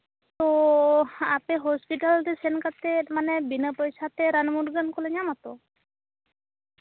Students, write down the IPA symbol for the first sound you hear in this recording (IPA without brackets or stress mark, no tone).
t̪